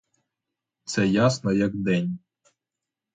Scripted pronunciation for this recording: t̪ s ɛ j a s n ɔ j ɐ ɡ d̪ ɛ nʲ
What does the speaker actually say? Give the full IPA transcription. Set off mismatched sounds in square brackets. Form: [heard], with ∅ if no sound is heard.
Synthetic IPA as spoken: t̪ s ɛ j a s n ɔ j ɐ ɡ d̪ ɛ nʲ